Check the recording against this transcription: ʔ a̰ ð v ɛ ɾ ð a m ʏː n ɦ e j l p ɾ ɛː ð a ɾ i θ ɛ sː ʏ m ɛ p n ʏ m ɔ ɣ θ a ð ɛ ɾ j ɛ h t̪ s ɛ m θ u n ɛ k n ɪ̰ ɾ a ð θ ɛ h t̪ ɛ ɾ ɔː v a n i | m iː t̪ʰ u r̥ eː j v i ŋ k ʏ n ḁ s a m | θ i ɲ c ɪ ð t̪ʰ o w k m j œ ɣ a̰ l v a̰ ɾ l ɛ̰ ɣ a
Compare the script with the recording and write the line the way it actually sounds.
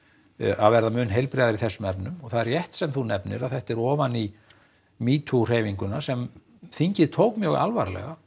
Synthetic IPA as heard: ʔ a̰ ð v ɛ ɾ ð a m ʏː n ɦ e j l p ɾ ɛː ð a ɾ i θ ɛ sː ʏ m ɛ p n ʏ m ɔ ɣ θ a ð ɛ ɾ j ɛ h t̪ s ɛ m θ u n ɛ p n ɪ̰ ɾ a ð θ ɛ h t̪ ɛ ɾ ɔː v a n i | m iː t̪ʰ u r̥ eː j v i ŋ k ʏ n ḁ s ɛ m | θ i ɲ c ɪ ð t̪ʰ o w k m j œ ɣ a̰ l v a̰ ɾ l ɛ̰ ɣ a

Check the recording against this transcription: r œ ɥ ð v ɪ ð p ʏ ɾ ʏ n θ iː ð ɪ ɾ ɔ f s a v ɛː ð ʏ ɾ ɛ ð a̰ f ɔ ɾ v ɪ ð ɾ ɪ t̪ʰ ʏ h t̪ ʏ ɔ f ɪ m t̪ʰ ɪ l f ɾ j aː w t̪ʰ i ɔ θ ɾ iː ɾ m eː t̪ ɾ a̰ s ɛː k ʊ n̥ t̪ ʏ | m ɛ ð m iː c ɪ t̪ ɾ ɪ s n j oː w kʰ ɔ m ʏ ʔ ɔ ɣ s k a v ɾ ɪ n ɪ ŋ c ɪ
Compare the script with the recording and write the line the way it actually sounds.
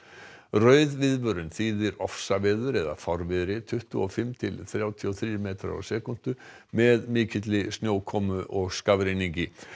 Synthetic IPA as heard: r œ ɥ ð v ɪ ð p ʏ ɾ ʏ n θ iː ð ɪ ɾ ɔ f s a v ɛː ð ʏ ɾ ɛ ð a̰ f ɔ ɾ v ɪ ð ɾ ɪ t̪ʰ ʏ h t̪ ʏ ɔ f ɪ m t̪ʰ ɪ l θ ɾ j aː w t̪ʰ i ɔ θ ɾ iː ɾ m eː t̪ ɾ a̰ s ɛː k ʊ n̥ t̪ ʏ | m ɛ ð m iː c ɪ t̪ l ɪ s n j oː w kʰ ɔ m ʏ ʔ ɔ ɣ s k a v ɾ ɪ n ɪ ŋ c ɪ

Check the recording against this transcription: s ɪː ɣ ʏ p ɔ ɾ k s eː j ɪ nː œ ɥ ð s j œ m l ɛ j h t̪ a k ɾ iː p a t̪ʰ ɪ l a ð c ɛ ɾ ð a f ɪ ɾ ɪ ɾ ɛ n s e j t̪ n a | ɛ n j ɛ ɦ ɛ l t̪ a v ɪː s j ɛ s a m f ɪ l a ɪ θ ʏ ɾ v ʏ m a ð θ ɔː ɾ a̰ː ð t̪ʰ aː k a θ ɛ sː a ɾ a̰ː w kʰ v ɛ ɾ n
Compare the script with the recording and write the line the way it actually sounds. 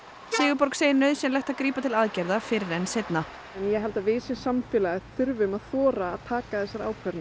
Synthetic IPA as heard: s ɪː ɣ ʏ p ɔ ɾ k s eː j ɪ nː œ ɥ ð s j ɛ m l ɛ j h t̪ a k ɾ iː p a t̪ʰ ɪ l a ð c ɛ ɾ ð a f ɪ ɾ ɪ ɾ ɛ n s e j t̪ n a | ɛ n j ɛ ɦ ɛ l t̪ a v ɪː s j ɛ s a m f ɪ l a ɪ θ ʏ ɾ v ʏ m a ð θ ɔː ɾ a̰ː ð t̪ʰ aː k a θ ɛ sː a ɾ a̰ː w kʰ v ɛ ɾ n

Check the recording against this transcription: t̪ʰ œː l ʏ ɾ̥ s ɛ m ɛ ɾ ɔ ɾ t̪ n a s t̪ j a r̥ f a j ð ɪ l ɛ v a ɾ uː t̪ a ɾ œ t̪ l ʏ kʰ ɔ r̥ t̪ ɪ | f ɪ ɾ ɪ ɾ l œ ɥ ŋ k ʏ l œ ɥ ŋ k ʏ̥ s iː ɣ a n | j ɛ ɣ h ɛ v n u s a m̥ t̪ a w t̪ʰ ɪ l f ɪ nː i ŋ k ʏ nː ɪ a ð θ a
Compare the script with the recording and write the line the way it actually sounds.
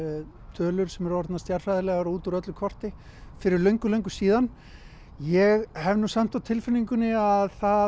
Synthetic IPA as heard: t̪ʰ œː l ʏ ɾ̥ s ɛ m ɛ ɾ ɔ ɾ t̪ n a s t̪ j a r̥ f a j ð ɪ l ɛ ɣ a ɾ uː t̪ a ɾ œ t̪ l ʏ kʰ ɔ r̥ t̪ ɪ | f ɪ ɾ ɪ ɾ l œ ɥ ŋ k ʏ l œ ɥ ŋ k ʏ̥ s iː ð a n | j ɛ ɣ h ɛ v n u s a m̥ t̪ a w t̪ʰ ɪ l f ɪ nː i ŋ k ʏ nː ɪ a ð θ a

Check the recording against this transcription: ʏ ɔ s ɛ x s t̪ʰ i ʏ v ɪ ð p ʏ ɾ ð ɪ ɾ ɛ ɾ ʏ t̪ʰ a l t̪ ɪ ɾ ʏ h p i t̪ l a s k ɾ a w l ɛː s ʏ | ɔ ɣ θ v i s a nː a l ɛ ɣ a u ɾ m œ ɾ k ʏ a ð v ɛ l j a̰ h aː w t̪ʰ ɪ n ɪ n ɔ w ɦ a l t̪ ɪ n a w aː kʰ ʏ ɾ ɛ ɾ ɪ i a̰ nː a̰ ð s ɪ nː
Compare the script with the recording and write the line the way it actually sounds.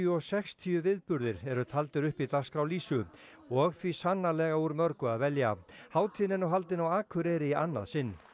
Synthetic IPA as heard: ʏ ɔ s ɛ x s t̪ʰ i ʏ v ɪ ð p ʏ ɾ ð ɪ ɾ ɛ ɾ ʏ t̪ʰ a l t̪ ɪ ɾ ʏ h p i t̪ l a s k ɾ a w l iː s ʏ | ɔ ɣ θ v i s a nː a l ɛ ɣ a u ɾ m œ ɾ k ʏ a ð v ɛ l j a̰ h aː w t̪ʰ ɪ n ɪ n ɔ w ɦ a l t̪ ɪ n a w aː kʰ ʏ ɾ ɛ ɾ ɪ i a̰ nː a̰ ð s ɪ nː

